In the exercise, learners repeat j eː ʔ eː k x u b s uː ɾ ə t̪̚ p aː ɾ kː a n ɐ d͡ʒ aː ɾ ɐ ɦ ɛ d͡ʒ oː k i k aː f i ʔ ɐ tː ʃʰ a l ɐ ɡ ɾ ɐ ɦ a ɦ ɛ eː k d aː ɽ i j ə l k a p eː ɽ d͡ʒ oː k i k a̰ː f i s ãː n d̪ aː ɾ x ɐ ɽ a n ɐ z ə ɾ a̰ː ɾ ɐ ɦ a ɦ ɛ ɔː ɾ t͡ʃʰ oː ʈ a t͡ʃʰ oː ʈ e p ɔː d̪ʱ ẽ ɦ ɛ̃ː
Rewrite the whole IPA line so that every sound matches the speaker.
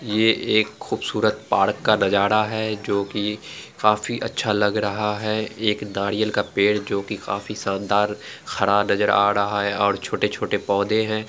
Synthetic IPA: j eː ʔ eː k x uː b s uː ɾ ə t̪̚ p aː ɾ kː a n ɐ d͡ʒ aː ɾ a ɦ ɛ d͡ʒ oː k i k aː f i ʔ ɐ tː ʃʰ a l ɐ ɡ ɾ ɐ ɦ a ɦ ɛ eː k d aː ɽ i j ə l k a p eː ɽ d͡ʒ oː k i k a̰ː f i s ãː n d̪ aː ɾ x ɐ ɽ a n ɐ z ə ɾ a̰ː ɾ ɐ ɦ a ɦ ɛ ɔː ɾ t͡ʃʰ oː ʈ e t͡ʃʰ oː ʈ e p ɔː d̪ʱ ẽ ɦ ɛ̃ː